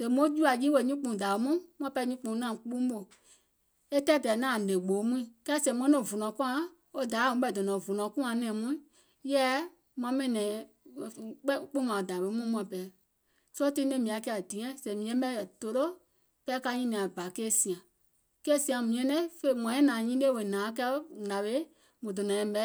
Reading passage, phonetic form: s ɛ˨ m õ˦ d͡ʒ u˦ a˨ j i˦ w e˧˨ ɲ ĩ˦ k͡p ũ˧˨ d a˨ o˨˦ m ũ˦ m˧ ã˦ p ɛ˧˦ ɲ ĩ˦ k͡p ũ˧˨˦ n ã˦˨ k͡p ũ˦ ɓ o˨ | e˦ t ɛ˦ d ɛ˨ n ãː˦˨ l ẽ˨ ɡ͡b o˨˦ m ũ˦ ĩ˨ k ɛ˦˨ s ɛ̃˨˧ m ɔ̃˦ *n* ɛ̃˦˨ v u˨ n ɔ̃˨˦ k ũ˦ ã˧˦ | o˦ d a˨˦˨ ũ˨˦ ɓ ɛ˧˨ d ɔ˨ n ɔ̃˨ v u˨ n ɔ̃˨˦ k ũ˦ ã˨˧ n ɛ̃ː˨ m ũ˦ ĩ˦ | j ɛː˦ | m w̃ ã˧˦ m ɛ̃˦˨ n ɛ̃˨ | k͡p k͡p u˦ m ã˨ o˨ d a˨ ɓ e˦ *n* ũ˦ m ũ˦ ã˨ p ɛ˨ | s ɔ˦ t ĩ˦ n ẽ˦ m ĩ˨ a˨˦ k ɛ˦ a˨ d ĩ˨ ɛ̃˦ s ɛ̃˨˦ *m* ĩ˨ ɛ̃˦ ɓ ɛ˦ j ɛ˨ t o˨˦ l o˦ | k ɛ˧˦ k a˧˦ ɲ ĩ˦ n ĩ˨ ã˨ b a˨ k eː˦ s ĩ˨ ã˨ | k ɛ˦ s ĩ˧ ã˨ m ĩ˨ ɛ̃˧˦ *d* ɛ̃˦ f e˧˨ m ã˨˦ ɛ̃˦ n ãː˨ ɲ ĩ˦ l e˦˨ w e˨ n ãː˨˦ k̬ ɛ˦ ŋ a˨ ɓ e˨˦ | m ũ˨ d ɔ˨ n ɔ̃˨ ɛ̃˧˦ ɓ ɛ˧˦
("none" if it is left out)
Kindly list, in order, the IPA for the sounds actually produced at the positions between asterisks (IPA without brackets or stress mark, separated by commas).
n, m, m, n